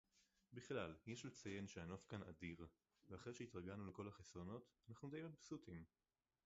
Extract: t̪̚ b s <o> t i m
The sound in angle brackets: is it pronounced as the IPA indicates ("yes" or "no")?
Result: no